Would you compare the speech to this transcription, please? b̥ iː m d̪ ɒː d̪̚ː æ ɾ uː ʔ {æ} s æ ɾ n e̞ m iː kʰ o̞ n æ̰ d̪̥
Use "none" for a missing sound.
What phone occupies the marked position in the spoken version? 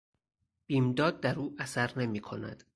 æ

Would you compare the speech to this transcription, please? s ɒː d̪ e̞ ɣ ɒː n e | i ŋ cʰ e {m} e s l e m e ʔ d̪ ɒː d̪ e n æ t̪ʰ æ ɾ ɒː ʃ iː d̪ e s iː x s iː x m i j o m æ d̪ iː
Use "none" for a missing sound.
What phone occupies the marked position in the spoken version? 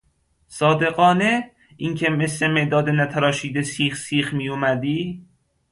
m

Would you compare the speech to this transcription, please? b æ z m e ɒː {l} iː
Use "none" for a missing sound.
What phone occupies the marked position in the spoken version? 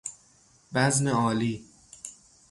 l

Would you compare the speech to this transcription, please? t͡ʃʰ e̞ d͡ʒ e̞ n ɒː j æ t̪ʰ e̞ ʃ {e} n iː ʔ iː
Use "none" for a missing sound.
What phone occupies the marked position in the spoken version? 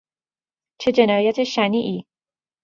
æ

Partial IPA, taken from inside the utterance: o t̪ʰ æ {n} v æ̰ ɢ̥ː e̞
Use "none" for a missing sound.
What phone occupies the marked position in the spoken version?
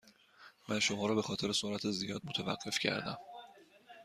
none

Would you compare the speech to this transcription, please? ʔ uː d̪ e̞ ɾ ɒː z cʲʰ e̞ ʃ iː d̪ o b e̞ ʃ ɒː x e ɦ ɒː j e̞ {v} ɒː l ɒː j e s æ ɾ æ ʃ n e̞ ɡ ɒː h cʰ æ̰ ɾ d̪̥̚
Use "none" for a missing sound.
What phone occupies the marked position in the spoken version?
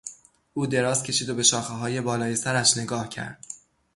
b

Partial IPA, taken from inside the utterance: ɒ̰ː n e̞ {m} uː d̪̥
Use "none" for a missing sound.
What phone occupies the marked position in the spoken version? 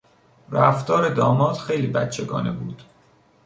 b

